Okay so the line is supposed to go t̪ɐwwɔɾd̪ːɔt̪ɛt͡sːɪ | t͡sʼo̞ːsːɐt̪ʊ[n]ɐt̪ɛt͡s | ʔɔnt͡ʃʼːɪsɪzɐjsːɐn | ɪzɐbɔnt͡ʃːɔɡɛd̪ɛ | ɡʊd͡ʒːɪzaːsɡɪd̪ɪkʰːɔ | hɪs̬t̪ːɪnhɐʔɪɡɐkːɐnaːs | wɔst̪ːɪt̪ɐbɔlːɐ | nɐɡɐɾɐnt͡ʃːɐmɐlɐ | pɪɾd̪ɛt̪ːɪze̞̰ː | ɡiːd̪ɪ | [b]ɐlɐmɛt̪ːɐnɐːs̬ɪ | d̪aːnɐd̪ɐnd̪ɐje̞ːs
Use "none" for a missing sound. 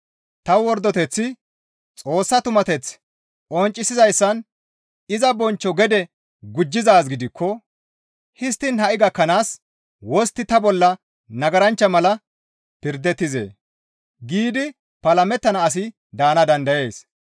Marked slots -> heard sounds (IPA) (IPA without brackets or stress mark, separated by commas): m, p